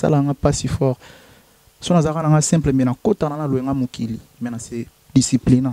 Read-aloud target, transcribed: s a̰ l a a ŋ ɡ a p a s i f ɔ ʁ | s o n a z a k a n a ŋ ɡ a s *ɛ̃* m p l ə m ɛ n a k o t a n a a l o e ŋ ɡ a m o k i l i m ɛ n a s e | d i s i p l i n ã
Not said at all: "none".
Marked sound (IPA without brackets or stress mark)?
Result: ɛ̃